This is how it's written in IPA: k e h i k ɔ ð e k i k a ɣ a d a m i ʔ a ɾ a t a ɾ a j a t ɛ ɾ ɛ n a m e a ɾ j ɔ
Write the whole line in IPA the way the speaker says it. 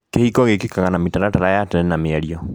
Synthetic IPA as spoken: k e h i k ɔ ɣ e k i k a ɣ a n a m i t a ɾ a t a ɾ a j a t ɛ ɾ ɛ n a m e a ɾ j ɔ